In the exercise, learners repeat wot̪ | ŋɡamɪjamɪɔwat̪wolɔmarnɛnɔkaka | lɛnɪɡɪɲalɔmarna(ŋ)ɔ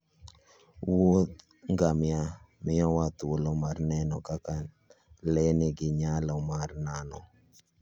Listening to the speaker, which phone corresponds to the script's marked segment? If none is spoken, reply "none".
n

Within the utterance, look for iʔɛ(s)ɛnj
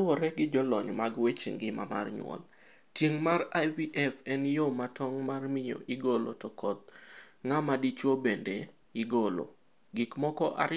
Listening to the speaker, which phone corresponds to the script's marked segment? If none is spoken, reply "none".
f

